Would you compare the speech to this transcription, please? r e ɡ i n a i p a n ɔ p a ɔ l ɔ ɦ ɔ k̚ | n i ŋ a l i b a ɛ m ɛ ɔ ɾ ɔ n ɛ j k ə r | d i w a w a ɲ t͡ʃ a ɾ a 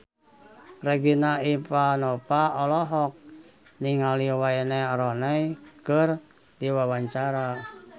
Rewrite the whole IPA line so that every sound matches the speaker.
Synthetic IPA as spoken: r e ɡ i n a i p a n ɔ p a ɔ l ɔ ɦ ɔ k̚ | n i ŋ a l i w a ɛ n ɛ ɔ ɾ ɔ n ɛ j k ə r | d i w a w a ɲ t͡ʃ a ɾ a